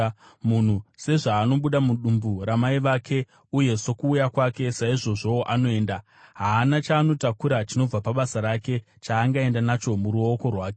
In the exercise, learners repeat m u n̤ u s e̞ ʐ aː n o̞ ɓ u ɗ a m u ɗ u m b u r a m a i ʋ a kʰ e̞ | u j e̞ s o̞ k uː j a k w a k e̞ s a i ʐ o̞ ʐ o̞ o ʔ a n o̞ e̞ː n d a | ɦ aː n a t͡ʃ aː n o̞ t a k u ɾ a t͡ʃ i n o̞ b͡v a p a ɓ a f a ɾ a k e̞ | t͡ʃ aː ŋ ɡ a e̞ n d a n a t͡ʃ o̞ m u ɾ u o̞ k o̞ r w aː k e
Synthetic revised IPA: m u n̤ u s e̞ ʐ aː n o̞ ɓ u ɗ a m u ɗ u m b u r a m a i ʋ a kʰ e̞ | u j e̞ s o̞ k uː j a k w a k e̞ s a i ʐ o̞ ʐ o̞ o ʔ a n o̞ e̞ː n d a | ɦ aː n a t͡ʃ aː n o̞ t a k u ɾ a t͡ʃ i n o̞ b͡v a p a ɓ a s a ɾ a k e̞ | t͡ʃ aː ŋ ɡ a e̞ n d a n a t͡ʃ o̞ m u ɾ u o̞ k o̞ r w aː k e